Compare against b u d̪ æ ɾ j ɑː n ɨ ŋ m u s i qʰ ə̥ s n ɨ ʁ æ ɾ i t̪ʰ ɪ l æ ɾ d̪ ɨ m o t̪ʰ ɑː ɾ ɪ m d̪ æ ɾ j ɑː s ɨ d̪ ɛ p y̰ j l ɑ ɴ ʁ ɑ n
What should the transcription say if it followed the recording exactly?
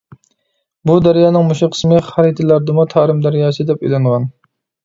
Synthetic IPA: b u d̪ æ ɾ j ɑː n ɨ ŋ m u ʃ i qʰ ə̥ s m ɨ χ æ ɾ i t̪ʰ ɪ l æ ɾ d̪ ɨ m u t̪ʰ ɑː ɾ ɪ m d̪ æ ɾ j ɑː s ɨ d̪ ɛ p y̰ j l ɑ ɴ ʁ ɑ n